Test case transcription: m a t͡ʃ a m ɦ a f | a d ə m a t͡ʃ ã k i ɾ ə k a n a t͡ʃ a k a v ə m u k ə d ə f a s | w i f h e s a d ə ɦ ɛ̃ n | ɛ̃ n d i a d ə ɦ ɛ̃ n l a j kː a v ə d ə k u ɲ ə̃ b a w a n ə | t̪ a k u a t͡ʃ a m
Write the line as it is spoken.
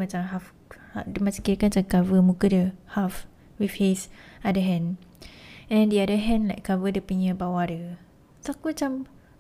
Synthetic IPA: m a t͡ʃ a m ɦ a f | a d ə m a t͡ʃ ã k i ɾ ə k a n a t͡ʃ a k a v ə m u k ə d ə h a f | w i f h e s a d ə ɦ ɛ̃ n | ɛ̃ n d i a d ə ɦ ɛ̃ n l a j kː a v ə d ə p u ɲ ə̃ b a w a d ə | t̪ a k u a t͡ʃ a m